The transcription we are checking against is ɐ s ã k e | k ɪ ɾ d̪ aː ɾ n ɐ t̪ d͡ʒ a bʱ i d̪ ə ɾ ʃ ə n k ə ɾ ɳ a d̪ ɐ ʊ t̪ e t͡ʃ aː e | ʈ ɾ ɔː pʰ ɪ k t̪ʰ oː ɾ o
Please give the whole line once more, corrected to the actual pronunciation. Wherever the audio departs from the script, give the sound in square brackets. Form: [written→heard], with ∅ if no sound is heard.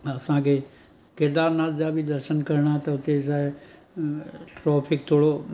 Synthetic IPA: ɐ s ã k e | k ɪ ɾ d̪ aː ɾ n [ɐ→a] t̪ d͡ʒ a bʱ i d̪ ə ɾ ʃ ə n k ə ɾ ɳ a [d̪→t̪] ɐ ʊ t̪ e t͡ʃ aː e | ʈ ɾ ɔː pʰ ɪ k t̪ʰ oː [ɾ→ɽ] o